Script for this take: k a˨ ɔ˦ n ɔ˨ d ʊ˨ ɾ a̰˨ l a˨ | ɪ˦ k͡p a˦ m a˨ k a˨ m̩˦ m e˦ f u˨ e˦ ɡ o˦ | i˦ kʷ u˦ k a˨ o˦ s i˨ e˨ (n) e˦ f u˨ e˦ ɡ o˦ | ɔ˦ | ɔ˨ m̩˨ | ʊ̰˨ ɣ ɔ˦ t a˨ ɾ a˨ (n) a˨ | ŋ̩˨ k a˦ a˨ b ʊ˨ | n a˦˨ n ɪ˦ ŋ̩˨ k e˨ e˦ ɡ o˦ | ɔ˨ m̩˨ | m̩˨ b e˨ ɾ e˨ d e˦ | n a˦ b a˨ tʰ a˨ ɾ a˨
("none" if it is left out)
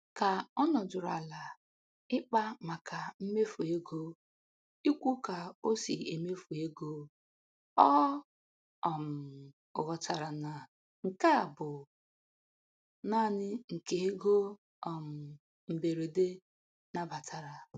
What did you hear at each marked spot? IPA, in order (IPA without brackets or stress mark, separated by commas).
m, n